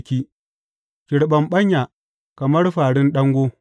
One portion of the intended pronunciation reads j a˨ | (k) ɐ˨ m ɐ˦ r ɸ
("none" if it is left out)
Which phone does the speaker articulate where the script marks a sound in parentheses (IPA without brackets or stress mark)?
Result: k